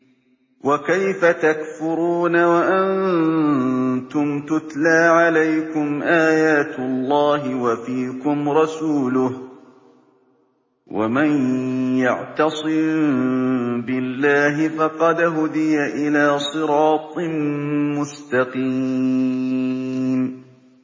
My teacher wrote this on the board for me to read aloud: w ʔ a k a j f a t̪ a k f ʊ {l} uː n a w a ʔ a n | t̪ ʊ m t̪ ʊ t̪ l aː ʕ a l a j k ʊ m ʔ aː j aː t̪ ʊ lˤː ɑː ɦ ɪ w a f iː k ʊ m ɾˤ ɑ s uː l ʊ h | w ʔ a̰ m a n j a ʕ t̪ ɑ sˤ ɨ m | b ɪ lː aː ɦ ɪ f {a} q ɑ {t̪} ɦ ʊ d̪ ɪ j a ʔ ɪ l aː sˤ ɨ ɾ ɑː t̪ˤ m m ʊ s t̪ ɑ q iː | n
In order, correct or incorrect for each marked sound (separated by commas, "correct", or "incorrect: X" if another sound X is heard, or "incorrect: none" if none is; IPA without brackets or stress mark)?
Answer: incorrect: ɾ, incorrect: ɑ, incorrect: d̪